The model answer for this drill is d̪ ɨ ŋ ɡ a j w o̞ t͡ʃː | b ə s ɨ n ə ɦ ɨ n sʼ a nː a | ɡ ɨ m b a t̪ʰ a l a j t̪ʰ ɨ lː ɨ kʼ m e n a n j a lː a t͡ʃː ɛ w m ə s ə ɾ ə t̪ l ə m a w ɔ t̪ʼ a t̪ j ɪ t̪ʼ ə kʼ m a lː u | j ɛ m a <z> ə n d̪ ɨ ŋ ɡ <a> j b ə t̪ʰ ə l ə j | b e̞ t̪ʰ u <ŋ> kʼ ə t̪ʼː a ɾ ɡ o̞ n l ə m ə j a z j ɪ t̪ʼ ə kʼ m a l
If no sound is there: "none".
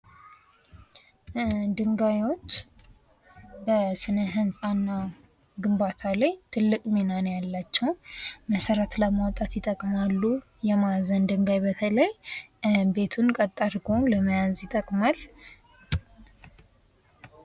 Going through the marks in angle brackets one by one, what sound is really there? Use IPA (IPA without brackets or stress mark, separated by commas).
z, a, n